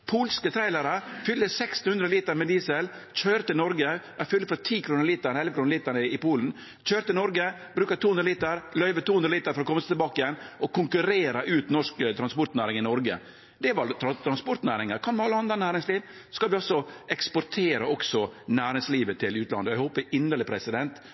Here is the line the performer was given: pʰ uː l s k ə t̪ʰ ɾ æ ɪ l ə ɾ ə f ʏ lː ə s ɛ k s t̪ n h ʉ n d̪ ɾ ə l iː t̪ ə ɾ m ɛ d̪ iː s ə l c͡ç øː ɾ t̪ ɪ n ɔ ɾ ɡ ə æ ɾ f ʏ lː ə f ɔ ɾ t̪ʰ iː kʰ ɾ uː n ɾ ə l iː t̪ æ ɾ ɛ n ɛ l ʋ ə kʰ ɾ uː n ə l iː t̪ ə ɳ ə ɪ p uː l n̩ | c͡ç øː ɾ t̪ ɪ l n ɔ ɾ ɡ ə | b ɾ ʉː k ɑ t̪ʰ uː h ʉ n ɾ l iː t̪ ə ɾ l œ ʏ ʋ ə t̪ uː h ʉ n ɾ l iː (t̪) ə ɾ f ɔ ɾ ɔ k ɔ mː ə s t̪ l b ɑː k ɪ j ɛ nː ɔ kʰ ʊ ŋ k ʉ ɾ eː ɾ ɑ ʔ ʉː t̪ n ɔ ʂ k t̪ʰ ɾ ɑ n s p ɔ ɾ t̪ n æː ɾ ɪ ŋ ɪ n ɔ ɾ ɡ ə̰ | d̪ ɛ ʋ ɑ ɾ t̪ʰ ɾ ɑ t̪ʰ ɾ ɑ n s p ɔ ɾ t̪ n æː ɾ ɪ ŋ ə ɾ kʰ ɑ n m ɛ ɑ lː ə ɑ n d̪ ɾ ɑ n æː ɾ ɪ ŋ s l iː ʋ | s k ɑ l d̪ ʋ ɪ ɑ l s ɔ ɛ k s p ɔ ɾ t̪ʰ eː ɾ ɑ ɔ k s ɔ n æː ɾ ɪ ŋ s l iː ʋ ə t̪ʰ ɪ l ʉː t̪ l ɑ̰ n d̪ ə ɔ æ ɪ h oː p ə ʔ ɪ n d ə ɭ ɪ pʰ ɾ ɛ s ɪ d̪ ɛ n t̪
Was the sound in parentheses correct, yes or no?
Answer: yes